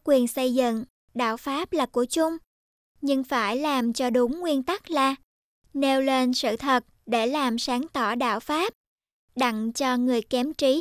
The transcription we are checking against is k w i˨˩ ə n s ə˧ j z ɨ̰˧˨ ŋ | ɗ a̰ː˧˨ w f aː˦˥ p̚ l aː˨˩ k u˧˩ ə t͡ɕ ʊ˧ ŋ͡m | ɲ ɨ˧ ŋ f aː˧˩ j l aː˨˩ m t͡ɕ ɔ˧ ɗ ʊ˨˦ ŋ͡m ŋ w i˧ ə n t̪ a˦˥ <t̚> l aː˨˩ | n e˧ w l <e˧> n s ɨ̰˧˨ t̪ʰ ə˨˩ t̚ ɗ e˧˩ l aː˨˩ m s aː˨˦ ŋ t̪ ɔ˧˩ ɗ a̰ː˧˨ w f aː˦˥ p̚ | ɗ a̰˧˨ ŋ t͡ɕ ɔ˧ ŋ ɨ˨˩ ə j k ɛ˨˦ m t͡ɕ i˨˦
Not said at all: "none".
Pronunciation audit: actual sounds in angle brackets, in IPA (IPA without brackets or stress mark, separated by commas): k̚, e˧